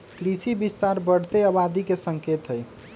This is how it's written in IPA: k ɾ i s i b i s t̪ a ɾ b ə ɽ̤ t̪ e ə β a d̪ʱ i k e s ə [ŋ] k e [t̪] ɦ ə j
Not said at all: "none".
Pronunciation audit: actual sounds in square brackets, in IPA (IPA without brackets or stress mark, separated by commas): ŋ, t̪